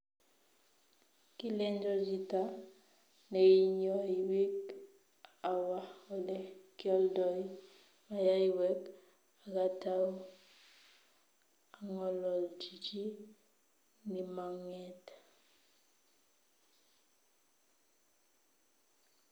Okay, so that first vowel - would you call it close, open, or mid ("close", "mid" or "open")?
close